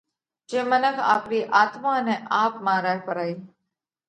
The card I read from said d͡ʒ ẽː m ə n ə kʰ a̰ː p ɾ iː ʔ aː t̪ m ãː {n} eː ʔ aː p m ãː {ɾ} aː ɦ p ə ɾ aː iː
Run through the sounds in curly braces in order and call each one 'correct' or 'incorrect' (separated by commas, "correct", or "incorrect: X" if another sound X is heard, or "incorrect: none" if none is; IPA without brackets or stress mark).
correct, correct